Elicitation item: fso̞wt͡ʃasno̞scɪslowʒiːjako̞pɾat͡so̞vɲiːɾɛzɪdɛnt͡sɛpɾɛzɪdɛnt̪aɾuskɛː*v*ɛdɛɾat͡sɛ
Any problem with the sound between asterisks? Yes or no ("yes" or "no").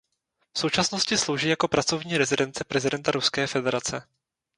yes